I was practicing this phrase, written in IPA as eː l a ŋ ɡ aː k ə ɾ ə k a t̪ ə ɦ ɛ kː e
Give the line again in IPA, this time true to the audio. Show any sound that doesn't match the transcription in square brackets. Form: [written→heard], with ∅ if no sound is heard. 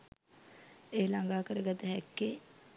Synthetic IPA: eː l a ŋ ɡ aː k ə ɾ ə [k→ɡ] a t̪ ə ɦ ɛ kː e